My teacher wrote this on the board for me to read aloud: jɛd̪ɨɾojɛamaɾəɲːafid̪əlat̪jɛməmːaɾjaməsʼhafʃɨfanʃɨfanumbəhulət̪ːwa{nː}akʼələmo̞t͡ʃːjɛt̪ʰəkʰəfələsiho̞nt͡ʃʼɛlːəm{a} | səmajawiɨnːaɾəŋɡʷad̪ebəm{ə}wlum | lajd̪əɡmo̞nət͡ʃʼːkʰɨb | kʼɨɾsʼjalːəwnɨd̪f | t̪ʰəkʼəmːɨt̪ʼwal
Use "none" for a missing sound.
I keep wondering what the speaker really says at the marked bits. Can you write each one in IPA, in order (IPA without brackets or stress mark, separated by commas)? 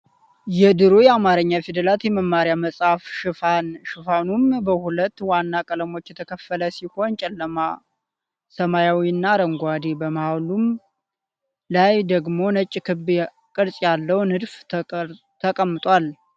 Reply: nː, a, a